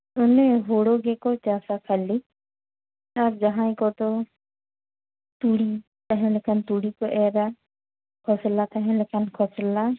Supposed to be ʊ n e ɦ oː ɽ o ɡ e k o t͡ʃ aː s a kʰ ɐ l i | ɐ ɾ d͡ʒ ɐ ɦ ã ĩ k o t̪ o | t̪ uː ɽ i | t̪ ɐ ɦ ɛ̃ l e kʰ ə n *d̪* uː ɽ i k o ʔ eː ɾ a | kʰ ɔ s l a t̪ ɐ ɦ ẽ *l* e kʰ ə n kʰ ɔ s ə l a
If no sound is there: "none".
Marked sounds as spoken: t̪, l

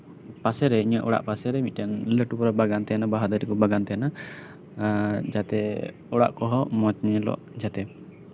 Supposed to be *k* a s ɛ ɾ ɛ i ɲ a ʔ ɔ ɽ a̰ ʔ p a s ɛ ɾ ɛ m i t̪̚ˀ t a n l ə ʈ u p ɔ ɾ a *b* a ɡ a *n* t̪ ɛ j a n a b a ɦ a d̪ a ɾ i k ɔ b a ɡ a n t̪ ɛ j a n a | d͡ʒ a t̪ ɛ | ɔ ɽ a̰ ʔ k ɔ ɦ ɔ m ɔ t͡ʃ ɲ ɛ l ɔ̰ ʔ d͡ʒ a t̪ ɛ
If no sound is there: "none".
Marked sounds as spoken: p, b, n

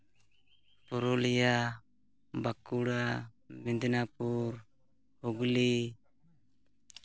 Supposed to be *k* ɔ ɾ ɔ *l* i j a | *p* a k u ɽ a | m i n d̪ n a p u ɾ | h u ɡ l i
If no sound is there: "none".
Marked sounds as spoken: p, l, b

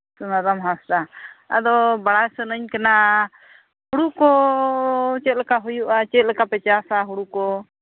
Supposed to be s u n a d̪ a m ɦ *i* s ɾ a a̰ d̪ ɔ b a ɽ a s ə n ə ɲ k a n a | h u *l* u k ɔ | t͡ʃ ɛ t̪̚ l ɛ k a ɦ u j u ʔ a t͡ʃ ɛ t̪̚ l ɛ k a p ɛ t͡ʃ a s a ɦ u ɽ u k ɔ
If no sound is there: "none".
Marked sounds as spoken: a, ɽ

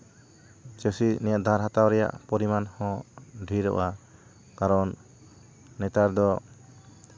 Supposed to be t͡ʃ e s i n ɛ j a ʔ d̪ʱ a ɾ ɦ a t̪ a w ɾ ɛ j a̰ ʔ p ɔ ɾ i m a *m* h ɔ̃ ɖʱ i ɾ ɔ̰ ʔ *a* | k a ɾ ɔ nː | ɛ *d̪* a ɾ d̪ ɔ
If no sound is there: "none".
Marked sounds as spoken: n, a, t̪

